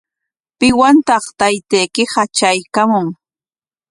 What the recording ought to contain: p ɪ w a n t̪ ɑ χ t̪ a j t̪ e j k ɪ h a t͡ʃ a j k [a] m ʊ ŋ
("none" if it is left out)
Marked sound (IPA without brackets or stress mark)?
a